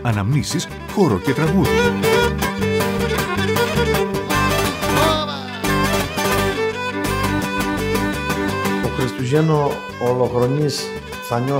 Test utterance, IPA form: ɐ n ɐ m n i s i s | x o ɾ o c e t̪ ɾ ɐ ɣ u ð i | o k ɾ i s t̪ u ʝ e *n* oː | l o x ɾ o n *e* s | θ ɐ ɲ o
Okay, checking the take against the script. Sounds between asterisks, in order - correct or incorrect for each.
correct, incorrect

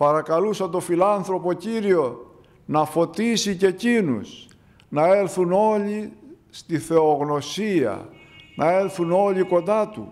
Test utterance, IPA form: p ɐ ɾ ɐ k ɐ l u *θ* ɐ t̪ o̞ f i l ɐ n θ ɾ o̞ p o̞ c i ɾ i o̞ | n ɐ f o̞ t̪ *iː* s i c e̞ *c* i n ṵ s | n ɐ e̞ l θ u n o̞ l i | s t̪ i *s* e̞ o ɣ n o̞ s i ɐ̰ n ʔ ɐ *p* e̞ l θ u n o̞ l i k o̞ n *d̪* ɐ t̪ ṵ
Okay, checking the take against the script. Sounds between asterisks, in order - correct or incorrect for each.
incorrect, incorrect, correct, incorrect, incorrect, correct

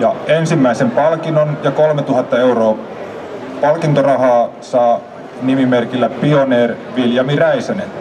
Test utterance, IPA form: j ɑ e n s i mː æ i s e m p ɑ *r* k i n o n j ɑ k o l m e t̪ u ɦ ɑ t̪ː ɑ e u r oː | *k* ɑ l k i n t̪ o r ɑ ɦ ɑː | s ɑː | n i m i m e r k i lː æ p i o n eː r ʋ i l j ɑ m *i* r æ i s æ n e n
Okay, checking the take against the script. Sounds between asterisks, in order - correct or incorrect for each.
incorrect, incorrect, correct

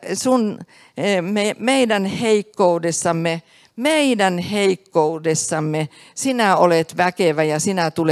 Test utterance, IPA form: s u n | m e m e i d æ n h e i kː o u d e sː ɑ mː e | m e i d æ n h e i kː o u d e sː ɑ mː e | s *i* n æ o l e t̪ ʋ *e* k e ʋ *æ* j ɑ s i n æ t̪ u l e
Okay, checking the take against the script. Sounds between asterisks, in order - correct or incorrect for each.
correct, incorrect, correct

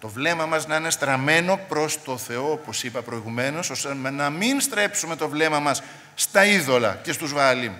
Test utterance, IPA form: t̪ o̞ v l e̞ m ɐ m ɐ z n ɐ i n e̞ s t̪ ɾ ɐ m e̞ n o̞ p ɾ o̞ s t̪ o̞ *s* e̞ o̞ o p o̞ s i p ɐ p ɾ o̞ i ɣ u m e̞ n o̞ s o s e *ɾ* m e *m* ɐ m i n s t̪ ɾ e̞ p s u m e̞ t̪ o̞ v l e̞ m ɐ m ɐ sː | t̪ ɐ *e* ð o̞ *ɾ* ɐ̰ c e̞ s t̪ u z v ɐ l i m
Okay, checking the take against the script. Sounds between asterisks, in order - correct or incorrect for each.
incorrect, incorrect, incorrect, incorrect, incorrect

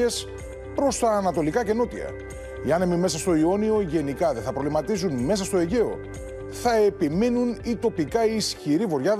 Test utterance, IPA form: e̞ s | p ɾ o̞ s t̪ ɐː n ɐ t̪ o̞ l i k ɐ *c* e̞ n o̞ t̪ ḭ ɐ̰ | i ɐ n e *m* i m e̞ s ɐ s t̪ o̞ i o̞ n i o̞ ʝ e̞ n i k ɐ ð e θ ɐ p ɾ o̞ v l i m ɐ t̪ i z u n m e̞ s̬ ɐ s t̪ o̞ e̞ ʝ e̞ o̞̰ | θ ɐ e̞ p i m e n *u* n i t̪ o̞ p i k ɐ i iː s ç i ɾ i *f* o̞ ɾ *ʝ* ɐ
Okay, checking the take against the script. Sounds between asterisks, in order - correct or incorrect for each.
correct, correct, correct, incorrect, correct

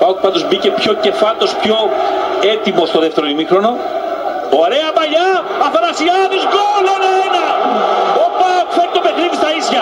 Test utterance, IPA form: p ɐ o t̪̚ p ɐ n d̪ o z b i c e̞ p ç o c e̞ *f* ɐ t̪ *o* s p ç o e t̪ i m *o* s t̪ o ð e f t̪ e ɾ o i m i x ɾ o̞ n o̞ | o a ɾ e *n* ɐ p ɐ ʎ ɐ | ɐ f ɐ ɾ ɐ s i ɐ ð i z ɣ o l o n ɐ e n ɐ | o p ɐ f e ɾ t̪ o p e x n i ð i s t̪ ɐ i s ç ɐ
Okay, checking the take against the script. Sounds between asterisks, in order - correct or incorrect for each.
correct, correct, correct, incorrect

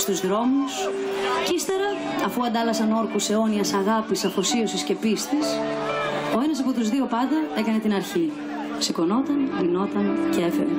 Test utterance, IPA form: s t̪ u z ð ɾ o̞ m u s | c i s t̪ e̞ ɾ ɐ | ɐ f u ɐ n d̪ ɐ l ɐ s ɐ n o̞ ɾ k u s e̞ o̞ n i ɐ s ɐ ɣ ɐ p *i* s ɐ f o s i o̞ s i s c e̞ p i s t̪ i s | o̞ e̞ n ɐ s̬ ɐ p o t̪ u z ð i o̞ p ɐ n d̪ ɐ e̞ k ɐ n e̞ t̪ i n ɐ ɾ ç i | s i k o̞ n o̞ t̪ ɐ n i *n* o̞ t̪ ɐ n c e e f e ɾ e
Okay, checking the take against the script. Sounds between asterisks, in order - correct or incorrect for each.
correct, correct

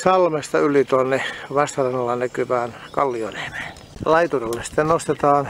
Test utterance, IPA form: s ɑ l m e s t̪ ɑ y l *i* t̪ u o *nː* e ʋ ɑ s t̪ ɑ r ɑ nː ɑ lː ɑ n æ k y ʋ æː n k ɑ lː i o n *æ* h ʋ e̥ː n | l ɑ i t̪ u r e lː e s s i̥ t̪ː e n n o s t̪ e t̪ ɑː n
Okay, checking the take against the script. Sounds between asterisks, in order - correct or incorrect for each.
correct, correct, incorrect

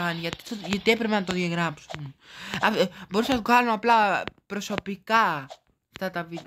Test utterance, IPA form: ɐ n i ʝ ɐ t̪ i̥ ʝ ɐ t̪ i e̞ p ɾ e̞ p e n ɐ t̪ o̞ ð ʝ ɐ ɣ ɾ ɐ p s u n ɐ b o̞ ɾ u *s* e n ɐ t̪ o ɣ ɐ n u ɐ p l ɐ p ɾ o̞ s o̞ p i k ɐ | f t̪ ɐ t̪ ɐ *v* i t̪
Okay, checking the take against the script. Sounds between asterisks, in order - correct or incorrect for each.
correct, correct

